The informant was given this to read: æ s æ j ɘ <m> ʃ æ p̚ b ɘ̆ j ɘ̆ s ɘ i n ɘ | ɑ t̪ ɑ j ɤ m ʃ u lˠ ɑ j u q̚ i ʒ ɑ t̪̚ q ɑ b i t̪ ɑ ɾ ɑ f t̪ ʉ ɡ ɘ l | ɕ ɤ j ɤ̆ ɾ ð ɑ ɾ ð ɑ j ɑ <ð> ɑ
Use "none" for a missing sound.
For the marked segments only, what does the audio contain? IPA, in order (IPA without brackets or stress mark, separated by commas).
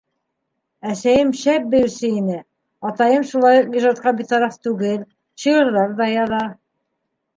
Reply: m, ð